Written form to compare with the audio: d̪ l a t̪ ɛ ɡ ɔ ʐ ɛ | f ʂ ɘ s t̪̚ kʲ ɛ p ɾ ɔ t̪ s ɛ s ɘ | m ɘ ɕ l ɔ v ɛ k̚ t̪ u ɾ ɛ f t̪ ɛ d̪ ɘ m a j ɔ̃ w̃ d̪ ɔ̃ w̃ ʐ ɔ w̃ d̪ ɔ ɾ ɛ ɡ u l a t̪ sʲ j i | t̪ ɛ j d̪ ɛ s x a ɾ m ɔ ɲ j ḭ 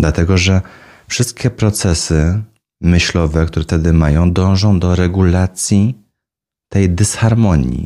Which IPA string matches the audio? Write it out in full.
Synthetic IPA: d̪ l a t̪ ɛ ɡ ɔ ʐ ɛ | f ʂ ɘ s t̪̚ kʲ ɛ p ɾ ɔ t̪ s ɛ s ɘ | m ɘ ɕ l ɔ v ɛ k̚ t̪ u ɾ ɛ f t̪ ɛ d̪ ɘ m a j ɔ̃ w̃ d̪ ɔ̃ w̃ ʐ ɔ̃ w̃ d̪ ɔ ɾ ɛ ɡ u l a t̪ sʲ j i | t̪ ɛ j d̪ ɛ s x a ɾ m ɔ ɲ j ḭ